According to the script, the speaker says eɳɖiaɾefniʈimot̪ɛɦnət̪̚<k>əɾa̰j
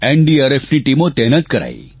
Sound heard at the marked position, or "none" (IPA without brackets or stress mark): k